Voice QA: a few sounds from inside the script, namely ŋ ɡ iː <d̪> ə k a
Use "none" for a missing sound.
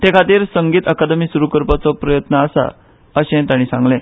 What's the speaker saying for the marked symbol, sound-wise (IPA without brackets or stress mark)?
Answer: t̪